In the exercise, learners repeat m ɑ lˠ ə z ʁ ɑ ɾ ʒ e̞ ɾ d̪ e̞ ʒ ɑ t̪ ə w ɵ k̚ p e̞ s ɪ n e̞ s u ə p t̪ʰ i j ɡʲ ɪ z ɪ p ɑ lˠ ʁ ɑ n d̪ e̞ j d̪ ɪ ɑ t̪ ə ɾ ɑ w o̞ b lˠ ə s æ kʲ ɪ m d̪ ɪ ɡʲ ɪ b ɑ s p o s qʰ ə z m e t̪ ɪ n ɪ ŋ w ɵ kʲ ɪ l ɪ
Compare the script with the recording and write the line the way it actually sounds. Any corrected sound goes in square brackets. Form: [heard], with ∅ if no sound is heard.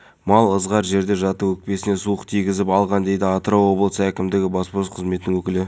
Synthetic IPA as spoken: m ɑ lˠ ə z ʁ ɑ ɾ ʒ e̞ ɾ d̪ e̞ ʒ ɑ t̪ ə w ɵ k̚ p e̞ s ɪ n e̞ s u ə [q] t̪ʰ i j ɡʲ ɪ z ɪ p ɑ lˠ ʁ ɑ n d̪ e̞ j d̪ ɪ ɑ t̪ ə ɾ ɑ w o̞ b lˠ ə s æ kʲ ɪ m d̪ ɪ ɡʲ ɪ b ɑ s p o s qʰ ə z m e t̪ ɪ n ɪ ŋ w ɵ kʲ ɪ l ɪ